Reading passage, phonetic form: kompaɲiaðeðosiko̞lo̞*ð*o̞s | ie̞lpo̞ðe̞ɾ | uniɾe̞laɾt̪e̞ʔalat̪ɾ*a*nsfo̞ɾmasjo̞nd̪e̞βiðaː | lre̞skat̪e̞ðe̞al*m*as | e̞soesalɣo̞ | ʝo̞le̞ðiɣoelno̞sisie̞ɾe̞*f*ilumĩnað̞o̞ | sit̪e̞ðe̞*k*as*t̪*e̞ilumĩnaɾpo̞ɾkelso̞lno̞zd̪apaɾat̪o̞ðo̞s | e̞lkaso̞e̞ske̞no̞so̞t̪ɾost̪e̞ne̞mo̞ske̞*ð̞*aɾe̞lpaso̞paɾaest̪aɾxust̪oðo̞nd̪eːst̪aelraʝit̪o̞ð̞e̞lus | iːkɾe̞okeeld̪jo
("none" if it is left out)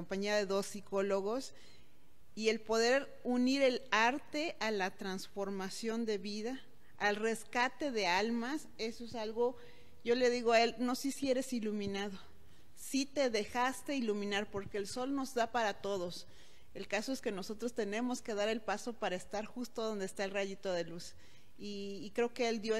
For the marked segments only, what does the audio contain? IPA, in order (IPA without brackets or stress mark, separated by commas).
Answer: ɣ, a, m, s, x, t̪, ð̞